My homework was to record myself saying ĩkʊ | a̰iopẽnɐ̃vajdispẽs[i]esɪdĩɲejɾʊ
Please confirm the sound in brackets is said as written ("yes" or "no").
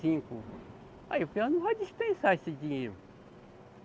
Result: no